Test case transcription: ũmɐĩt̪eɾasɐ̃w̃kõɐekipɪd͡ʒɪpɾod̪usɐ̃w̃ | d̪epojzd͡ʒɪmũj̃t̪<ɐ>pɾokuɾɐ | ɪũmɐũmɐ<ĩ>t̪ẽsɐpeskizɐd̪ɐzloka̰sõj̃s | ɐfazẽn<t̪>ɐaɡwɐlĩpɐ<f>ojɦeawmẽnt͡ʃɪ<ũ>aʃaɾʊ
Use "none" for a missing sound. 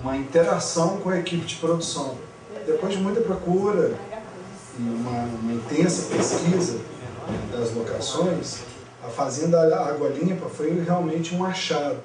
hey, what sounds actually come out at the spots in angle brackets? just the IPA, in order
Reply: ɐ, ĩ, d̪, f, ũ

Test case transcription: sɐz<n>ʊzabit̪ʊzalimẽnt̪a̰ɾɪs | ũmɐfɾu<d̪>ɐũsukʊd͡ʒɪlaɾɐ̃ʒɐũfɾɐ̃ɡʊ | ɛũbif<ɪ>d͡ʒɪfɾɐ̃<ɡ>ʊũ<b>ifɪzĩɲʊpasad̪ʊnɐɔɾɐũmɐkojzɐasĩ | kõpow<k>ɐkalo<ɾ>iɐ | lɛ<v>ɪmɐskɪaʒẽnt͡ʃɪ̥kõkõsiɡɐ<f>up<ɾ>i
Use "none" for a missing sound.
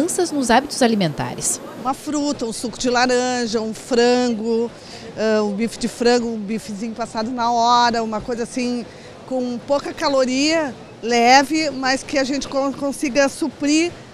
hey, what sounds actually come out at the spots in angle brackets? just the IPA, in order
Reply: n, t̪, ɪ, ɡ, b, k, ɾ, v, s, ɾ

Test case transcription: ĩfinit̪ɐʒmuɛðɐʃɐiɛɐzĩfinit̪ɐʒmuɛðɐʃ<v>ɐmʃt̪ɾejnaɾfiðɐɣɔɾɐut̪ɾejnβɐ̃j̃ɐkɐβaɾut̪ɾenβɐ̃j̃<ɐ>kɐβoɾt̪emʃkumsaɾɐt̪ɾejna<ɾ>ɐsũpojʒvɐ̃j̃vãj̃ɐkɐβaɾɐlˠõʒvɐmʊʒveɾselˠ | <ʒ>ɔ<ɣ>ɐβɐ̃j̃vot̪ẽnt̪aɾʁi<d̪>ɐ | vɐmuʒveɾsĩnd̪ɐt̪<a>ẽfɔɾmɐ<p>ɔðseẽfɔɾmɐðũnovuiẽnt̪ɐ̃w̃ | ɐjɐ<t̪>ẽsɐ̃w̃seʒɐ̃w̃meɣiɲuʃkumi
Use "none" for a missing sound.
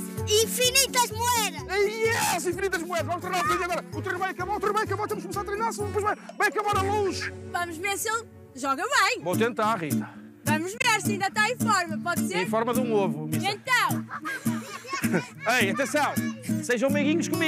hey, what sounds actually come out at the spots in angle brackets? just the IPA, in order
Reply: v, ɐ, ɾ, ʒ, ɣ, t̪, a, p, t̪

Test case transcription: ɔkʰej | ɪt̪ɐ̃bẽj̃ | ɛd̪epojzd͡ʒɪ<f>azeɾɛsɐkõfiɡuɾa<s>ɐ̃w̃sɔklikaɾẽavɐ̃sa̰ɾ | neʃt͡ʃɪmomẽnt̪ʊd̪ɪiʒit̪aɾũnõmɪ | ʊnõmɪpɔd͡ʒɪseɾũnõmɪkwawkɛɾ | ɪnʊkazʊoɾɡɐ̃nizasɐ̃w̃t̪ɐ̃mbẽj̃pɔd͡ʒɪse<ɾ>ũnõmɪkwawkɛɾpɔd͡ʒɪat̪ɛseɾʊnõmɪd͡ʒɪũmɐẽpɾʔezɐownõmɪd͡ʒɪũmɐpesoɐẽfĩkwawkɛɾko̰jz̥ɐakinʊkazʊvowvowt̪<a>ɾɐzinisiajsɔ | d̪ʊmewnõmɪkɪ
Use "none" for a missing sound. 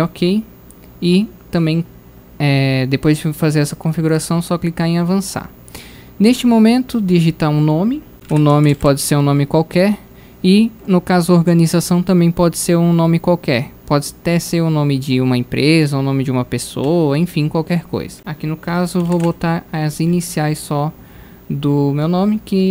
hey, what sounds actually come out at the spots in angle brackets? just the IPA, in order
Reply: f, s, ɾ, a

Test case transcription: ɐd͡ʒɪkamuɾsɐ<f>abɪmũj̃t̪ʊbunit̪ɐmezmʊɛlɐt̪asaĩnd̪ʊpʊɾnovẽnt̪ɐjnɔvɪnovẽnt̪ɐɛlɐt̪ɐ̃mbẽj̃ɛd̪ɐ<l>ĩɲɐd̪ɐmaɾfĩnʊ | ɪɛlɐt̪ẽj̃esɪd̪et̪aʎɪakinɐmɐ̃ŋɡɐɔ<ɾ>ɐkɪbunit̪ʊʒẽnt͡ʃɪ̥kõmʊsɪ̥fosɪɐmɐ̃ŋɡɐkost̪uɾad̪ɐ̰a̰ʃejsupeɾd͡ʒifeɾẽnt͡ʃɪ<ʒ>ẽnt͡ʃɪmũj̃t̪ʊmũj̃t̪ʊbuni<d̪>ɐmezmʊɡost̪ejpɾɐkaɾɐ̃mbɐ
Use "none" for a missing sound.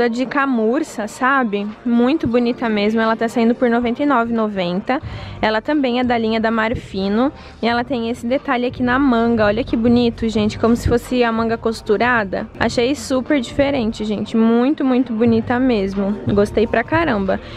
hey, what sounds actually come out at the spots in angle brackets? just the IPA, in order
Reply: s, l, ʎ, ʒ, t̪

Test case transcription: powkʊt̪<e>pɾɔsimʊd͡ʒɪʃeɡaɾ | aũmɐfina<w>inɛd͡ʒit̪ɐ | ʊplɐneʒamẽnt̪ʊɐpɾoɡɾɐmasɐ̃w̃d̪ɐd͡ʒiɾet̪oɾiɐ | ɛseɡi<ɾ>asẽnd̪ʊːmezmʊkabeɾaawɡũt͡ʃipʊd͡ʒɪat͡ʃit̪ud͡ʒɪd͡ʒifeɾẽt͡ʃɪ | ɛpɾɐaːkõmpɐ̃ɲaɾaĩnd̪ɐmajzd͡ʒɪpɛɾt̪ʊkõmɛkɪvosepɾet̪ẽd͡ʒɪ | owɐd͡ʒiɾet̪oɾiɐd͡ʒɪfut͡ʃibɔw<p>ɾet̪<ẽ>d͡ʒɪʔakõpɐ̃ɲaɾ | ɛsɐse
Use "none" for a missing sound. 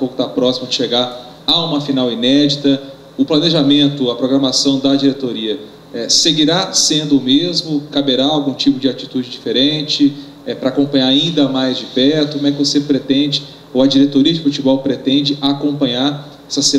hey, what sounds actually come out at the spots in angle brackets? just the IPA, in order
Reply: a, w, ɾ, p, ẽ

